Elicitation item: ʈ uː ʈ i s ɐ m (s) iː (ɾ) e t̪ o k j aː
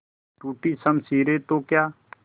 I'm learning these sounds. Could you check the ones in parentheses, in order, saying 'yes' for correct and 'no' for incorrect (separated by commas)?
yes, yes